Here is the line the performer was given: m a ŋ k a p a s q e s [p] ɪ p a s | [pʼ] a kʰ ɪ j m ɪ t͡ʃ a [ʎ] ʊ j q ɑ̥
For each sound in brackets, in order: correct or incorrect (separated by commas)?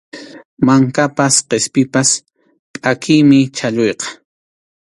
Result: correct, correct, correct